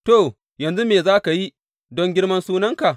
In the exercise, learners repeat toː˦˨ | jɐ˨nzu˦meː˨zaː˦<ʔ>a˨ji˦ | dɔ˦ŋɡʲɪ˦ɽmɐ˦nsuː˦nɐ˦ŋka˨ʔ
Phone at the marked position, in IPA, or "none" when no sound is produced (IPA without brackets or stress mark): k